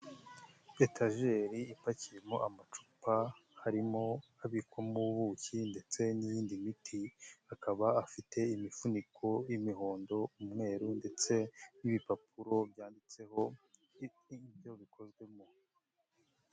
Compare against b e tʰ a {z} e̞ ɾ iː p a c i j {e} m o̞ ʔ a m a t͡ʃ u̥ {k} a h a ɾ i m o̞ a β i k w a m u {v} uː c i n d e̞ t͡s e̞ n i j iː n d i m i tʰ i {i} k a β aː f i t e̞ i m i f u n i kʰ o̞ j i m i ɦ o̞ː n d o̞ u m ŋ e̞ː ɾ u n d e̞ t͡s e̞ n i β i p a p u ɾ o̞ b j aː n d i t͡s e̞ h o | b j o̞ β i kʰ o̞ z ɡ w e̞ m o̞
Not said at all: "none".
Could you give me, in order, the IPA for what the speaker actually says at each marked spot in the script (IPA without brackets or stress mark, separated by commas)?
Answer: ʒ, e, p, β, a